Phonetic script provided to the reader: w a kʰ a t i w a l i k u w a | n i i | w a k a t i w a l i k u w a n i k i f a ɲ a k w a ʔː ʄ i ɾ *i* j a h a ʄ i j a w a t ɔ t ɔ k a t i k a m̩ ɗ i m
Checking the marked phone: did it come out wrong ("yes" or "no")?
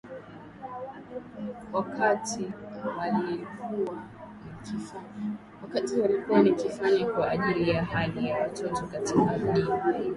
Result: no